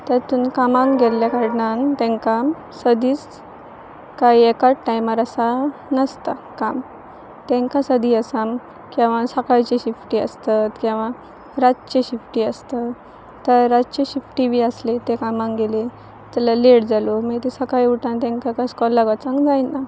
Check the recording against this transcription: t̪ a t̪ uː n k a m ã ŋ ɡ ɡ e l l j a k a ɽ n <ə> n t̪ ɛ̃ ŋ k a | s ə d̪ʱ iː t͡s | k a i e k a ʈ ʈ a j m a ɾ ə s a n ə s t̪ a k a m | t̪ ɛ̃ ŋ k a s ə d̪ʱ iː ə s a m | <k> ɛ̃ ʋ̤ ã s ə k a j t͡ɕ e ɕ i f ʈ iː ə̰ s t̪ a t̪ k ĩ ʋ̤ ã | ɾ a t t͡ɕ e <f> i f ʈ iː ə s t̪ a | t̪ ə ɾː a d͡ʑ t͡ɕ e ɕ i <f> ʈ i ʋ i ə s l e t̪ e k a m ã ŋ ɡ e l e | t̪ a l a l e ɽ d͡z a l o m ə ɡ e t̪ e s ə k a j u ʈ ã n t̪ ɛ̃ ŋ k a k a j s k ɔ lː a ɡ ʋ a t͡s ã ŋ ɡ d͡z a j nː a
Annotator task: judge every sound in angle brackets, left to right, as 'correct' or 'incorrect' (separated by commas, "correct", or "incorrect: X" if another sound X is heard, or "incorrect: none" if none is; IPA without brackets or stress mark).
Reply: incorrect: a, correct, incorrect: ɕ, correct